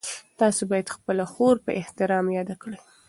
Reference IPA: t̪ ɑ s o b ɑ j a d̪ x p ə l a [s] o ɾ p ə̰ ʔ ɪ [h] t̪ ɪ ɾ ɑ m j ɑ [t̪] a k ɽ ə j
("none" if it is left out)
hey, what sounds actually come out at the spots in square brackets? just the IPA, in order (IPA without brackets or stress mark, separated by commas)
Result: x, h, d̪